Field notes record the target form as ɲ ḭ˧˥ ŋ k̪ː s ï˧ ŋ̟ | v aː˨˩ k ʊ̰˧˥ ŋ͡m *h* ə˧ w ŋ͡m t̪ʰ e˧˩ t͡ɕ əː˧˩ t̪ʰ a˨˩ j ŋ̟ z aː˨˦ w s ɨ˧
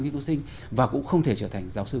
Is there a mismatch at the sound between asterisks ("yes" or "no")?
yes